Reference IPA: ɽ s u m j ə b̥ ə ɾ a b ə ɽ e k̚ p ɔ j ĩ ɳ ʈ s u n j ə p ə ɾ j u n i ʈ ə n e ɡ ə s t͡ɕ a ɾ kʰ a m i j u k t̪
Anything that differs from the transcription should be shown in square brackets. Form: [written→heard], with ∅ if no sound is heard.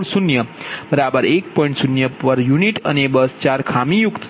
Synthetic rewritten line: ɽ s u [m→n] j ə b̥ ə ɾ a b ə [ɽ→ɾ] e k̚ p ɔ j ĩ ɳ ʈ s u n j ə p ə ɾ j u n i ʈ ə n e [ɡ→b] ə s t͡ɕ a ɾ kʰ a m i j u k t̪